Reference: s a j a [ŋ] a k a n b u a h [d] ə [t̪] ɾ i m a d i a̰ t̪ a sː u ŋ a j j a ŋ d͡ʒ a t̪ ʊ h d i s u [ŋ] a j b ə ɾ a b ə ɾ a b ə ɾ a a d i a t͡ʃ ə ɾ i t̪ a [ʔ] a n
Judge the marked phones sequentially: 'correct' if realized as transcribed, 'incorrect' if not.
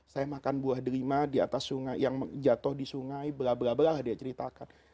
incorrect: m, correct, incorrect: none, correct, incorrect: k

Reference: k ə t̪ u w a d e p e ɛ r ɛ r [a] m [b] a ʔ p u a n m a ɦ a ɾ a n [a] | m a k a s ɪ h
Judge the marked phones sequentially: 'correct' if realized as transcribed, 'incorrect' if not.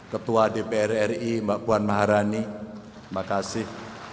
incorrect: i, correct, incorrect: i

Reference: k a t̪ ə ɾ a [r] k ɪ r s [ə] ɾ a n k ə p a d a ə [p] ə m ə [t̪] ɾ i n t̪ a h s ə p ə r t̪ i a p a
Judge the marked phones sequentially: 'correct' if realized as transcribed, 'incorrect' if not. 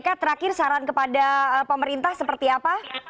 incorrect: none, incorrect: a, correct, incorrect: none

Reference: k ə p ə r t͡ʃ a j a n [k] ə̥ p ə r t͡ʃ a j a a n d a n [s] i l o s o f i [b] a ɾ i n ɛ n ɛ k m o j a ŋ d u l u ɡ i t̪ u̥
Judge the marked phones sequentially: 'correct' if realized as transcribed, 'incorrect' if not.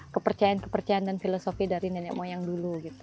correct, incorrect: f, incorrect: d

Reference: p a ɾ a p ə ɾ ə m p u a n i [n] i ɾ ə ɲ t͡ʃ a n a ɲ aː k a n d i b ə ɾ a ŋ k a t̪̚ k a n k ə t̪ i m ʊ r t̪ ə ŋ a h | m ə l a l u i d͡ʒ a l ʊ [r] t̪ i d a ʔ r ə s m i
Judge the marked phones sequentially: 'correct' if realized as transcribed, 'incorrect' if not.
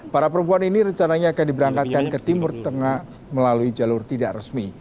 correct, correct

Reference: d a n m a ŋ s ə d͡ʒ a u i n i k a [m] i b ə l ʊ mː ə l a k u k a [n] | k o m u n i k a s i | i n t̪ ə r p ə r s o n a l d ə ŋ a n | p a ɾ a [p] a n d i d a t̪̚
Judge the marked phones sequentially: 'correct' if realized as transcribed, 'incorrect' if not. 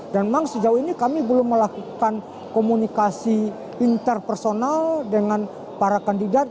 correct, correct, incorrect: k

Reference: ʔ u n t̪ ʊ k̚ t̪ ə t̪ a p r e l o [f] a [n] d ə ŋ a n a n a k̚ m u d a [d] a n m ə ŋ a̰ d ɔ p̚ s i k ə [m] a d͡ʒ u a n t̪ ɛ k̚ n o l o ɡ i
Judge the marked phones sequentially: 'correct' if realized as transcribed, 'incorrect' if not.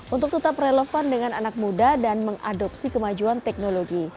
correct, correct, correct, correct

